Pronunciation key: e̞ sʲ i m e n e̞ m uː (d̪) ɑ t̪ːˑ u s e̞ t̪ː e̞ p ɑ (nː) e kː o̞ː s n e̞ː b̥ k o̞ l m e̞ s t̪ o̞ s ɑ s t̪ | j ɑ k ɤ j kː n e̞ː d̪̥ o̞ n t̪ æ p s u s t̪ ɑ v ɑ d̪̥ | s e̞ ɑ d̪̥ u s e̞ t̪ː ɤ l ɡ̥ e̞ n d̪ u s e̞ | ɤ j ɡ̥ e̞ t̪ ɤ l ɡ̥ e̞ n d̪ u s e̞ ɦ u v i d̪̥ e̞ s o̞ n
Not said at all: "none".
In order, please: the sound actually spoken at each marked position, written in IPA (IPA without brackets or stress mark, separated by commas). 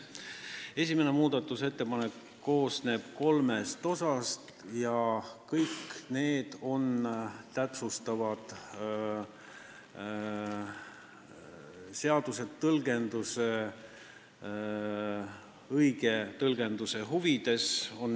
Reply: d̪, n